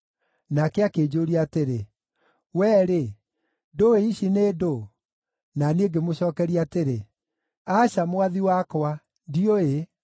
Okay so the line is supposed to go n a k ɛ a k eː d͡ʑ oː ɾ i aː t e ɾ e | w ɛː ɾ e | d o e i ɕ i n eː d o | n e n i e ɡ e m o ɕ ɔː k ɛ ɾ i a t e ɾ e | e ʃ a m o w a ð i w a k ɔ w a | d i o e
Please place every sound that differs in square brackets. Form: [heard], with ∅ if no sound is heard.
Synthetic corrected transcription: n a k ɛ a k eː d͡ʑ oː ɾ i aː t e ɾ e | w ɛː ɾ e | d o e i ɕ i n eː d o | n [a] n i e ɡ e m o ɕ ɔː k ɛ ɾ i a t e ɾ e | [a] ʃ a m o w a ð i w a k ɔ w a | d i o e